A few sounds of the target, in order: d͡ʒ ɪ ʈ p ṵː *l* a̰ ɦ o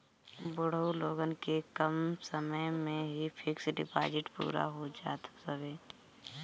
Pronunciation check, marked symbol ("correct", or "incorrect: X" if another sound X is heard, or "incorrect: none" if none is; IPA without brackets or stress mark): incorrect: ɾ